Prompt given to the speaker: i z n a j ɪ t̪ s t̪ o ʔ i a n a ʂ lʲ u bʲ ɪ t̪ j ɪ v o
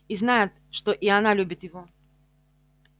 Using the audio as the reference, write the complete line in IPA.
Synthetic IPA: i z n a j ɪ t̪ ʂ t̪ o ʔ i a n a lʲ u bʲ ɪ t̪ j ɪ v o